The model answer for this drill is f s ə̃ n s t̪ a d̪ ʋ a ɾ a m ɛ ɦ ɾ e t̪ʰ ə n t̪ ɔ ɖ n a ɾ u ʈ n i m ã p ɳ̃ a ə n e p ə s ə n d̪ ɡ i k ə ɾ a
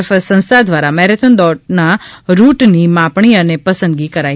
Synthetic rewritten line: f s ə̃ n s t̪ a d̪ ʋ a ɾ a m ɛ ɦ ɾ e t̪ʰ ə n d̪ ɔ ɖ n a ɾ u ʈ n i m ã p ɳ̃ i ə n e p ə s ə n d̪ ɡ i k ə ɾ a